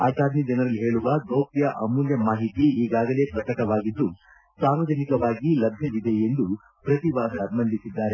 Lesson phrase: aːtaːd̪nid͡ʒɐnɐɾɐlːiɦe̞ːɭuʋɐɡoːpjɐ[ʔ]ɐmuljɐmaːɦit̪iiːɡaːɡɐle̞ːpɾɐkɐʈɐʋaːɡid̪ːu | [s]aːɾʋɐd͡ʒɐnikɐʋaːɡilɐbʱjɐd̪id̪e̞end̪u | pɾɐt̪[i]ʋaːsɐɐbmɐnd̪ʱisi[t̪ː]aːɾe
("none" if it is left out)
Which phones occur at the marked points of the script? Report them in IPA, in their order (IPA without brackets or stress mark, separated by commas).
ʔ, s, i, d̪ː